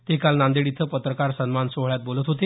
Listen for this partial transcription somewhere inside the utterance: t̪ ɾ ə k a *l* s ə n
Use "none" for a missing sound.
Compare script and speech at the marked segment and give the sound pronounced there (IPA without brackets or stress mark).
ɾ